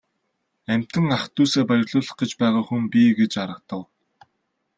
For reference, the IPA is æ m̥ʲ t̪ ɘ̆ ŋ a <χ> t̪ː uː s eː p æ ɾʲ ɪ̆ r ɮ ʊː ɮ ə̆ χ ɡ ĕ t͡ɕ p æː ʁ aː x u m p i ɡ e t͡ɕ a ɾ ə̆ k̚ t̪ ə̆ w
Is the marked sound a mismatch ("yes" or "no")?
no